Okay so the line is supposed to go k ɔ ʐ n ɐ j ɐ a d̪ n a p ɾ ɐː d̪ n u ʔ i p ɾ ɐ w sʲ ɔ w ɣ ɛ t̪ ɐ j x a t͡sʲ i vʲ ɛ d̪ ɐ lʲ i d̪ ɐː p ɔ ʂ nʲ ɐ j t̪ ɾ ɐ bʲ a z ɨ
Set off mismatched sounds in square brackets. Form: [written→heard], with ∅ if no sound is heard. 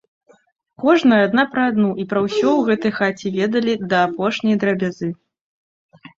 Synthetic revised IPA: k ɔ ʐ n ɐ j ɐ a d̪ n a p ɾ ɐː d̪ n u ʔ i p ɾ ɐ w sʲ ɔ w ɣ ɛ t̪ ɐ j x a t͡sʲ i vʲ ɛ d̪ ɐ lʲ i d̪ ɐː p ɔ ʂ nʲ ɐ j [t̪→d̪] ɾ ɐ bʲ a z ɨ